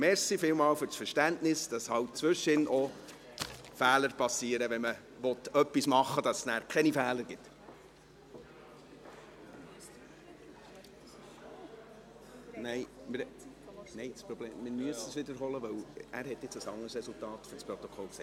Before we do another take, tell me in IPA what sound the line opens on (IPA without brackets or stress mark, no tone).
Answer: m